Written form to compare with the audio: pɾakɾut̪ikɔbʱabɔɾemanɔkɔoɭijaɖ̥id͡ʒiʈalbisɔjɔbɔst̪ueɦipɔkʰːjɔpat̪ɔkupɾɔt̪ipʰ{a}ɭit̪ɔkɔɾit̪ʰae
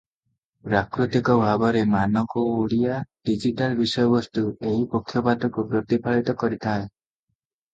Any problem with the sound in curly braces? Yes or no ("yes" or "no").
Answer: no